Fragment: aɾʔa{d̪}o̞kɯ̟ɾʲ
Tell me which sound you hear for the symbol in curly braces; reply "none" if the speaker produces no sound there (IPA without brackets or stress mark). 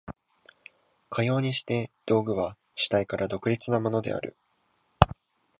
d̪